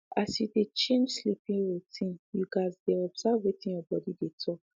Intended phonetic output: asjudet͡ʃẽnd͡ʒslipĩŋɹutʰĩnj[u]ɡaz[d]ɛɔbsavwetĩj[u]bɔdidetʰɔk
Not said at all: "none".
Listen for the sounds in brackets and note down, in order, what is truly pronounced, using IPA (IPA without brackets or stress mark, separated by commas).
u, d, ɔ